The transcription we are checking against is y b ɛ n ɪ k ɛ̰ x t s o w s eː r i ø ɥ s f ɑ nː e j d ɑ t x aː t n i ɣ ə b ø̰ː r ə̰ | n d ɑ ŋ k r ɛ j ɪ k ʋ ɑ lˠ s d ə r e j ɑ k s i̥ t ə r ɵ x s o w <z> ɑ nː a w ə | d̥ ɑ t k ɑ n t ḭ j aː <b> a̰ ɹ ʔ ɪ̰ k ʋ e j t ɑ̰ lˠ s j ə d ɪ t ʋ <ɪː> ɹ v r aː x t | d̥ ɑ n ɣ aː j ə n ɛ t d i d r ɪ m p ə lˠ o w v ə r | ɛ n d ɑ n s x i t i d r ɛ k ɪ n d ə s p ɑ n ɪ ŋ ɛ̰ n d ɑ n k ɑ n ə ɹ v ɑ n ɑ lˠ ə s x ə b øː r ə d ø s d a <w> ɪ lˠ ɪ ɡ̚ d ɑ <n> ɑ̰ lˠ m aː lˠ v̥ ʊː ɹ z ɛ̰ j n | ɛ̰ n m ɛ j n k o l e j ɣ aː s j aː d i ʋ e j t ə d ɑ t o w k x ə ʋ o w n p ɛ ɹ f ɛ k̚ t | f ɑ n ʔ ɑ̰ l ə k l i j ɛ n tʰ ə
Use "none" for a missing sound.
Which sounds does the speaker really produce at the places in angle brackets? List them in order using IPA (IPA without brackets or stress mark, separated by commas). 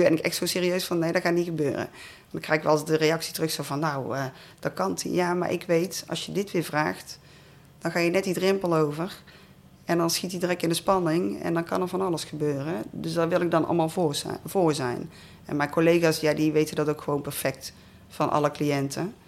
v, m, ɪː, ʋ, n